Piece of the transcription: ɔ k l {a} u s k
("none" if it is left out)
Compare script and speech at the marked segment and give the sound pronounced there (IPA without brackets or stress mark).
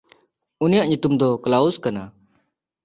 a